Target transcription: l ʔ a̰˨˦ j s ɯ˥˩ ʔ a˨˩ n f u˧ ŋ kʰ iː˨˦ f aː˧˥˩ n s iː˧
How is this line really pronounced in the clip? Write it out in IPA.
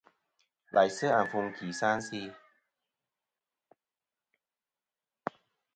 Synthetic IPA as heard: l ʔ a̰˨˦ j s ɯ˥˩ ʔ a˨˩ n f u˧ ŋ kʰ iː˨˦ s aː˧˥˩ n s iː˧